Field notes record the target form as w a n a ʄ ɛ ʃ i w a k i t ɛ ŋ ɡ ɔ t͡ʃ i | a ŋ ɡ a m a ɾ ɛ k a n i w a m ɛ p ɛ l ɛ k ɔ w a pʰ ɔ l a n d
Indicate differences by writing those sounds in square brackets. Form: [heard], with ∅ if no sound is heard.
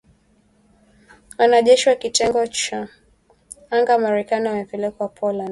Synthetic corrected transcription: w a n a ʄ ɛ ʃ i w a k i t ɛ ŋ ɡ ɔ t͡ʃ [a] | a ŋ ɡ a m a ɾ ɛ k a n i w a m ɛ p ɛ l ɛ k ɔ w a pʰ ɔ l a n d

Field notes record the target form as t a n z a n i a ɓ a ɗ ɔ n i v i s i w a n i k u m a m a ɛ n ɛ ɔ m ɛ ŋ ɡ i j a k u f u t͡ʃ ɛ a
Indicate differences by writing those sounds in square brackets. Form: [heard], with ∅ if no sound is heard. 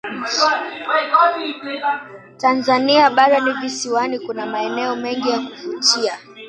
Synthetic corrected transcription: t a n z a n i a ɓ a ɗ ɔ n i v i s i w a n i k u [n] a m a ɛ n ɛ ɔ m ɛ ŋ ɡ i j a k u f u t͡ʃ [i] a

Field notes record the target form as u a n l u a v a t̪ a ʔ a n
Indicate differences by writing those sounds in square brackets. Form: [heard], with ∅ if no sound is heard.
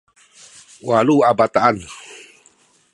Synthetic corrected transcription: [w] a [∅] l u a [b] a t̪ a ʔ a n

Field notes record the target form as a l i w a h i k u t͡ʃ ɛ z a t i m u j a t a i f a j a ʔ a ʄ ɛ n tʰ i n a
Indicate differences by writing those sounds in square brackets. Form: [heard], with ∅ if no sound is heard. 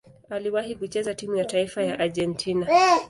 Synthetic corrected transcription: a l i w a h i k u t͡ʃ ɛ z a t i m u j a t a i f a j a ʔ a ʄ ɛ n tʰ i n a

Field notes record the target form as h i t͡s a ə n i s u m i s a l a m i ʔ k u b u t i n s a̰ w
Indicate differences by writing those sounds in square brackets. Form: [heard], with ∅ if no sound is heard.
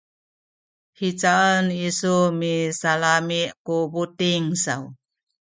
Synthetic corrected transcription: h i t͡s a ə n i s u m i s a l a m i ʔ k u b u t i [ŋ] s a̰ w

